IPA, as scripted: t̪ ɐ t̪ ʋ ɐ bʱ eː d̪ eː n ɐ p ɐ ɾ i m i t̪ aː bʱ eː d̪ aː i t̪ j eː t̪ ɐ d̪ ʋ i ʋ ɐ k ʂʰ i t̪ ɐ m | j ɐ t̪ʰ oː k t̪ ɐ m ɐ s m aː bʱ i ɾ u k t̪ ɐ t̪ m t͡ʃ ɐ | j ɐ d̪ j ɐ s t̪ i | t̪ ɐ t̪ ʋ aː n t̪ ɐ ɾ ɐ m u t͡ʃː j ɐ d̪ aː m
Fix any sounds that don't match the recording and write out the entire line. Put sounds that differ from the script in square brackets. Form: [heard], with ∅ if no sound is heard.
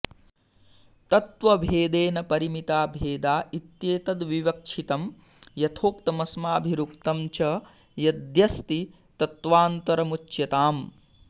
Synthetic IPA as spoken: t̪ ɐ t̪ ʋ ɐ bʱ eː d̪ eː n ɐ p ɐ ɾ i m i t̪ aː bʱ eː d̪ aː i t̪ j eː t̪ ɐ d̪ ʋ i ʋ ɐ k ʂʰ i t̪ ɐ m | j ɐ t̪ʰ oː k t̪ ɐ m ɐ s m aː bʱ i ɾ u k t̪ ɐ [∅] m t͡ʃ ɐ | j ɐ d̪ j ɐ s t̪ i | t̪ ɐ t̪ ʋ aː n t̪ ɐ ɾ ɐ m u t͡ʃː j ɐ [t̪] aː m